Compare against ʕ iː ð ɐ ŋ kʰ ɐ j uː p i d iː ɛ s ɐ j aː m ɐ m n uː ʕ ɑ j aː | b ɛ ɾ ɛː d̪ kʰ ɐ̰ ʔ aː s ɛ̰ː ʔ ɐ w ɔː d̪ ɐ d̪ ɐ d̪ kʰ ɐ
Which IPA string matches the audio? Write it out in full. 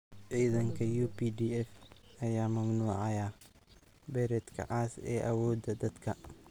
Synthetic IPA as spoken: ʕ iː ð ɐ ŋ kʰ ɐ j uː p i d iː ɛ f ɐ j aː m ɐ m n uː ʕ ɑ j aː | b ɛ ɾ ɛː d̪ kʰ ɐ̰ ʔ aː s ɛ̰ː ʔ ɐ w ɔː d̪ ɐ d̪ ɐ d̪ kʰ ɐ